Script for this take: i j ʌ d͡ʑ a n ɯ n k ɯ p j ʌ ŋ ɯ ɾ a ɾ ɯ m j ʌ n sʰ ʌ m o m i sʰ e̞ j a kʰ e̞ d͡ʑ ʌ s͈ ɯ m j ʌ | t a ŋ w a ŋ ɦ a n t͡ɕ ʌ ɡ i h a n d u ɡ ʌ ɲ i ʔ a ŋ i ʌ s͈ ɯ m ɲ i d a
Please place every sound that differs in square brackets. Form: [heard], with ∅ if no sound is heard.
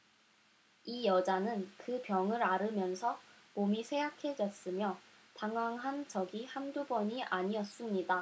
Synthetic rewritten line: i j ʌ d͡ʑ a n ɯ n k ɯ p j ʌ ŋ ɯ ɾ a ɾ ɯ m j ʌ n sʰ ʌ m o m i sʰ e̞ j a kʰ e̞ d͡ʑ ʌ s͈ ɯ m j ʌ | t a ŋ w a ŋ ɦ a n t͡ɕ ʌ ɡ i h a n d u [b] ʌ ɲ i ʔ a [ɲ] i ʌ s͈ ɯ m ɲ i d a